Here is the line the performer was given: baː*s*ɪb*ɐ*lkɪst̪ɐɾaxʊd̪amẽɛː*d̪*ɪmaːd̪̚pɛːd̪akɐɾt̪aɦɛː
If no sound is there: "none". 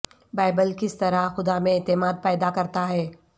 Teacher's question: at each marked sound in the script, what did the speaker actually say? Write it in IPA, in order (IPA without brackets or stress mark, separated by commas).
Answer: none, ə, t̪